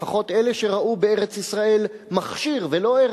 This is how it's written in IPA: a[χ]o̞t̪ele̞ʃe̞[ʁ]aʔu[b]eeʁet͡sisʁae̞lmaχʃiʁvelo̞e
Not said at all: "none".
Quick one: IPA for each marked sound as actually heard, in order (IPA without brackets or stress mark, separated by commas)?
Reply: χ, ʁ, b